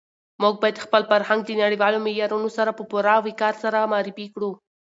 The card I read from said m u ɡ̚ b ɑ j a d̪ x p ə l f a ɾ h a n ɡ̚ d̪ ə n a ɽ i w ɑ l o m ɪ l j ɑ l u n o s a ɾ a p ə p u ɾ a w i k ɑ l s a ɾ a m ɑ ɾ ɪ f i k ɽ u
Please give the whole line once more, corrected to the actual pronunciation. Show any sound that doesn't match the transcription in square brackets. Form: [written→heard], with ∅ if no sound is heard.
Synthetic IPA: m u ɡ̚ b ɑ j a d̪ x p ə l f a ɾ h a [n→ŋ] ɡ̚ d̪ ə n a ɽ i w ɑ l o m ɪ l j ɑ [l→ɾ] u n o s a ɾ a p ə p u ɾ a w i k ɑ [l→ɾ] s a ɾ a m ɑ ɾ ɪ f i k ɽ u